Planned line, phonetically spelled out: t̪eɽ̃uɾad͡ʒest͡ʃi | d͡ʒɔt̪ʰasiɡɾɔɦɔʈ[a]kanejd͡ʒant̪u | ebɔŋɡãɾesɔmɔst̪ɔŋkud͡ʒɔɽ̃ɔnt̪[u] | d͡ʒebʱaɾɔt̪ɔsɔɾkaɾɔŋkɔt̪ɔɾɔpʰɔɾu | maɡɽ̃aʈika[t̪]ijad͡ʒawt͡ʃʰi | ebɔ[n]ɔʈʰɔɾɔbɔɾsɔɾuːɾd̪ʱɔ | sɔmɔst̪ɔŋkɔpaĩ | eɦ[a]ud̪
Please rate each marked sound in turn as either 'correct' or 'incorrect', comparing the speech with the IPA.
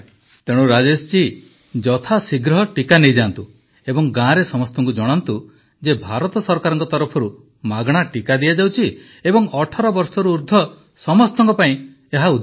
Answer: incorrect, correct, incorrect, incorrect, correct

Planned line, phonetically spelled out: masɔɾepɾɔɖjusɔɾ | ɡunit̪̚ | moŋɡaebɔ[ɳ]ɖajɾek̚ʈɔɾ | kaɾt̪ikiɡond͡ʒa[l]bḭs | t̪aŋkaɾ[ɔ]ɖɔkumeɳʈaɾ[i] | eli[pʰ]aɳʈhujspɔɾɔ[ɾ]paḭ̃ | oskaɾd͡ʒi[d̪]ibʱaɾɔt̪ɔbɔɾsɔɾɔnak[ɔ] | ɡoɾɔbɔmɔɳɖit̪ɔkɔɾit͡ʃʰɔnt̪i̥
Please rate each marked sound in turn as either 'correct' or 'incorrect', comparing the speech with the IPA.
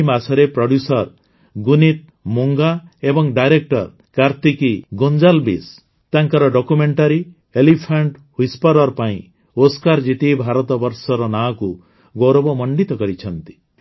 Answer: incorrect, correct, correct, correct, correct, correct, incorrect, incorrect

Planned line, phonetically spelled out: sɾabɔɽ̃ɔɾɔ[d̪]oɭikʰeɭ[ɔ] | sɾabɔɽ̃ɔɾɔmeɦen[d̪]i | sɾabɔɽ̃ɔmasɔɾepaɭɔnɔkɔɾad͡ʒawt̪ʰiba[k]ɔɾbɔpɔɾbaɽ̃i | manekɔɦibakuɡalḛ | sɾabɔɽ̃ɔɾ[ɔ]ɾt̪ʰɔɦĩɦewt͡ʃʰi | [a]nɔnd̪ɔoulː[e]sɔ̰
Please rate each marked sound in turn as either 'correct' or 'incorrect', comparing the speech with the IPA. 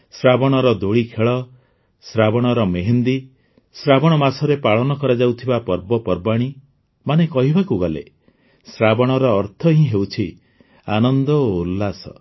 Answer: correct, correct, correct, incorrect, incorrect, correct, incorrect

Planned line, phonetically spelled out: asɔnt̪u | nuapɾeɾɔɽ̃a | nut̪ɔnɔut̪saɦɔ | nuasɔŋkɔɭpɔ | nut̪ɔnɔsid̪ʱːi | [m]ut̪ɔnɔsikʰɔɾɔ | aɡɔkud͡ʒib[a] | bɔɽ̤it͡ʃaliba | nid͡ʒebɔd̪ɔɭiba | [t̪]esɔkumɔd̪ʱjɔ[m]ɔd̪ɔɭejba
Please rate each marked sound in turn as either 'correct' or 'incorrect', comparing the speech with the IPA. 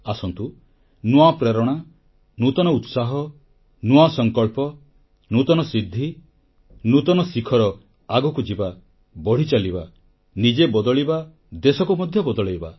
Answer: incorrect, correct, incorrect, incorrect

